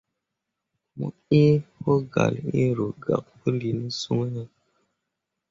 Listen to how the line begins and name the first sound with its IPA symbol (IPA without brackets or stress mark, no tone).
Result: m